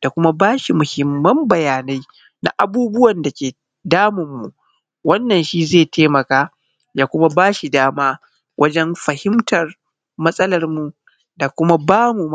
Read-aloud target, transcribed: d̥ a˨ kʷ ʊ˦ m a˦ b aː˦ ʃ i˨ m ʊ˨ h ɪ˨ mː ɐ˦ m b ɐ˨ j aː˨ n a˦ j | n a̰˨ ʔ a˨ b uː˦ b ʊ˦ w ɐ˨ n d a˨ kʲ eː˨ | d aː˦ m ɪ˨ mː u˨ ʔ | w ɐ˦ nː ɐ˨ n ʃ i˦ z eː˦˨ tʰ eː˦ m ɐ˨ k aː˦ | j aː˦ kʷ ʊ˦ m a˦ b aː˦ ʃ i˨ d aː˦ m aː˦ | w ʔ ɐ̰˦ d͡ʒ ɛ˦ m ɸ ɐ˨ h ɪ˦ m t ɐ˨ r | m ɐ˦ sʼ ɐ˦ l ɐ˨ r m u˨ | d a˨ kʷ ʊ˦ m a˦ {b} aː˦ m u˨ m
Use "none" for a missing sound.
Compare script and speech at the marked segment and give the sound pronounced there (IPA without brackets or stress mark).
b